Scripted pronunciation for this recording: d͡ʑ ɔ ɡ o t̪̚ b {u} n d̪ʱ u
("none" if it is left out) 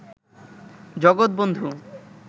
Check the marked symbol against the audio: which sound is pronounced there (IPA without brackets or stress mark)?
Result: o